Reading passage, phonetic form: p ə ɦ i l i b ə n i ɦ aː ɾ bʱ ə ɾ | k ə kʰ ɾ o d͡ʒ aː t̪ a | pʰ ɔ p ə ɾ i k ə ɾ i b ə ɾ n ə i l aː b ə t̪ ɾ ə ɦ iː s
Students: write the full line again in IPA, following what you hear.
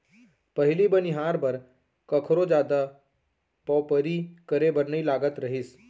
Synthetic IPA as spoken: p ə ɦ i l i b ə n i ɦ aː ɾ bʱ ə ɾ | k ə kʰ ɾ o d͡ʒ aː d̪ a | p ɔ p ə ɾ i k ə ɾ e b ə ɾ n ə i l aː ɡ ə t̪ ɾ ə ɦ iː s